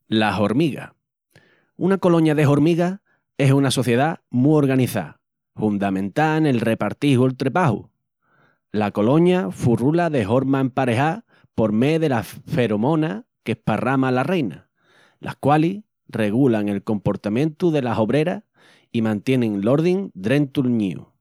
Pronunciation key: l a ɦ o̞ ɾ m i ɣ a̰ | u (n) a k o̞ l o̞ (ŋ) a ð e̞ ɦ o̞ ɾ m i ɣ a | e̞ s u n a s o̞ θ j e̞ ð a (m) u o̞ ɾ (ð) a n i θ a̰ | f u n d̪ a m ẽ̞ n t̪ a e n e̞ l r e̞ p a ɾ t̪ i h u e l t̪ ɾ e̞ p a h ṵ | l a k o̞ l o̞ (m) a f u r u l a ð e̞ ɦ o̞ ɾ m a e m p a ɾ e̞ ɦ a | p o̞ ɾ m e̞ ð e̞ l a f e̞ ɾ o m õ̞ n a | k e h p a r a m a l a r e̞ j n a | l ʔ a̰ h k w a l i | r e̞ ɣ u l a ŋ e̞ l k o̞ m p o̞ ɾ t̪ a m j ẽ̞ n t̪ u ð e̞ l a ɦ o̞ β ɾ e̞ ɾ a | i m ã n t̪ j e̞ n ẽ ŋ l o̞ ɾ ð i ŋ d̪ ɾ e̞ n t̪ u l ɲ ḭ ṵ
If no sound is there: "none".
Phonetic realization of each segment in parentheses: n, ɲ, m, ɣ, ɲ

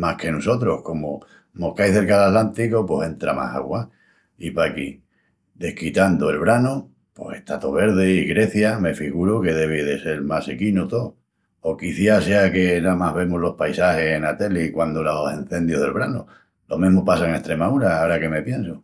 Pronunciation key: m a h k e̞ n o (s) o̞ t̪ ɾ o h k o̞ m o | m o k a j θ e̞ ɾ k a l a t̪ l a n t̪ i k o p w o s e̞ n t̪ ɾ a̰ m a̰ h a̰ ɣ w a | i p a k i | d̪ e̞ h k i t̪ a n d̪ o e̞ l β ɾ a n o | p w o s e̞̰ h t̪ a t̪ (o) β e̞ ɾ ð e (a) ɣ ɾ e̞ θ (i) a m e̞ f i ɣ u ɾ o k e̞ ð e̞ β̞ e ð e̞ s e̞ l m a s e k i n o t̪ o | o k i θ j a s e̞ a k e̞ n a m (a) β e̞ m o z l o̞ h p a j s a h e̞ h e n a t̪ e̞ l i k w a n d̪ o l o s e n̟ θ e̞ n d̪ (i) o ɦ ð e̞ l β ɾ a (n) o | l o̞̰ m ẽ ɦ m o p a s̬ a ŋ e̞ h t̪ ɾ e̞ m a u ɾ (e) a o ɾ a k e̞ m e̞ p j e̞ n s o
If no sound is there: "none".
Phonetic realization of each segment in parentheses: s, o, i, j, a, j, n, a

